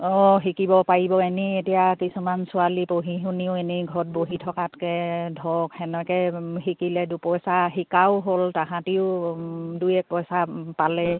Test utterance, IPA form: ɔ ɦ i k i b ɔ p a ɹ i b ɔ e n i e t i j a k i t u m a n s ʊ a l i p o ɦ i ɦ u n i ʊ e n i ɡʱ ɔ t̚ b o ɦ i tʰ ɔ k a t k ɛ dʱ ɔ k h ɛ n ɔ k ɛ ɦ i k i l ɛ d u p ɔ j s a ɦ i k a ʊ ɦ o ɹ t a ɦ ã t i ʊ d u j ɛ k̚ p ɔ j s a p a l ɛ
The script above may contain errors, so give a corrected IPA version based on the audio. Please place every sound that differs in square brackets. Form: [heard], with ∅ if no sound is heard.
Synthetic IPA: ɔ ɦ i k i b ɔ p a ɹ i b ɔ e n i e t i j a k i [s] u m a n s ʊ a l i p o ɦ i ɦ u n i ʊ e n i ɡʱ ɔ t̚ b o ɦ i tʰ ɔ k a t k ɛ dʱ ɔ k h ɛ n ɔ k ɛ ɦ i k i l ɛ d u p ɔ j s a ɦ i k a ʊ ɦ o [l] t a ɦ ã t i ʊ d u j ɛ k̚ p ɔ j s a p a l ɛ